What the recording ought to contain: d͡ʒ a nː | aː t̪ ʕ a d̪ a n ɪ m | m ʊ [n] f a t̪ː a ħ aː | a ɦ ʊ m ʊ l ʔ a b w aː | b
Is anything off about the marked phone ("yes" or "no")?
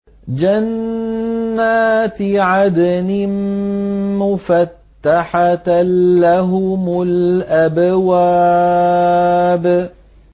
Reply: yes